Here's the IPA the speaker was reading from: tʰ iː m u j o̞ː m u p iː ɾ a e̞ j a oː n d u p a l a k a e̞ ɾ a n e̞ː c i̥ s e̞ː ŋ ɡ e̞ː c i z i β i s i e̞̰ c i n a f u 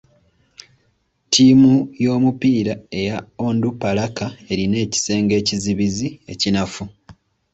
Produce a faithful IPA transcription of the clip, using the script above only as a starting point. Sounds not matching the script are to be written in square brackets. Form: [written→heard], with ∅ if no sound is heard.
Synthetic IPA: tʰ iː m u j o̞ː m u p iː ɾ a e̞ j a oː n d u p a l a k a e̞ ɾ [a→i] n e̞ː c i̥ s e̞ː ŋ ɡ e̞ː c i z i β i [s→z] i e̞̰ c i n a f u